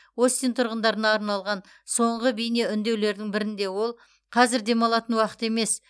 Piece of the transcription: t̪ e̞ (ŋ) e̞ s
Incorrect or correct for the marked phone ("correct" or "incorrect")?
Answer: incorrect